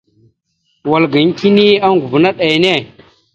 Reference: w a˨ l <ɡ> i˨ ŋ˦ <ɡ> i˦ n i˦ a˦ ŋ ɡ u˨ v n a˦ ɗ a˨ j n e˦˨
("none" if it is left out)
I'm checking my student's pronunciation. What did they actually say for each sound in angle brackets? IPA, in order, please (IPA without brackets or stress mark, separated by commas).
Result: ɡ, k